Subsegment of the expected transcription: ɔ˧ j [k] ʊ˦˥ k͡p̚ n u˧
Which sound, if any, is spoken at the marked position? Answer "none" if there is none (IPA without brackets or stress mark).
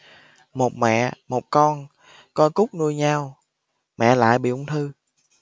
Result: k